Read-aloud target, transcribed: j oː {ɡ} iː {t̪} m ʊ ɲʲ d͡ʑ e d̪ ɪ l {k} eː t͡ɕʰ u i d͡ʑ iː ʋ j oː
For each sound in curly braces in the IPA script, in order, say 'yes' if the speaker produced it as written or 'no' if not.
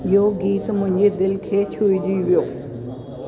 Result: yes, yes, no

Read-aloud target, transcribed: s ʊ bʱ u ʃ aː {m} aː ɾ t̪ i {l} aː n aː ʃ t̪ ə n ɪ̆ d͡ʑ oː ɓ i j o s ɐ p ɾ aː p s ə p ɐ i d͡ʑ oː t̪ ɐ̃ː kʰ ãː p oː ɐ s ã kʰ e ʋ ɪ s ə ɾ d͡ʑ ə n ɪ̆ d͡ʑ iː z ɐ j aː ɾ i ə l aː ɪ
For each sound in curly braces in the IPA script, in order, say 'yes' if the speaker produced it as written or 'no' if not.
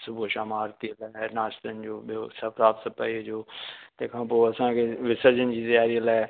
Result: yes, yes

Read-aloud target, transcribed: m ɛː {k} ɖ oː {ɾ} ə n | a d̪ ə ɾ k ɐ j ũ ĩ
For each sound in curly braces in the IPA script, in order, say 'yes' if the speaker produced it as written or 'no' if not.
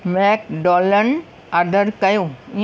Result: yes, no

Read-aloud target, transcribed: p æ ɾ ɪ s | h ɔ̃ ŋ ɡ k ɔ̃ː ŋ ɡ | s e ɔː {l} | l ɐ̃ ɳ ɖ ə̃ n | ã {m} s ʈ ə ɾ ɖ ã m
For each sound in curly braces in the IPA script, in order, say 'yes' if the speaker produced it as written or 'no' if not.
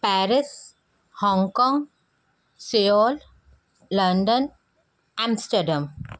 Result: yes, yes

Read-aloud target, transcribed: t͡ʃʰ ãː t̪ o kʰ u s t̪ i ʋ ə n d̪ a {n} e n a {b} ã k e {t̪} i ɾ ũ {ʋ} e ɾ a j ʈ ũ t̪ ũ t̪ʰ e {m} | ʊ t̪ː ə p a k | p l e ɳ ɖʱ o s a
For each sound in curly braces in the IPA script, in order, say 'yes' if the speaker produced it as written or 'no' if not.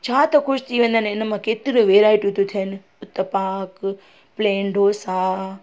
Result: yes, no, yes, yes, no

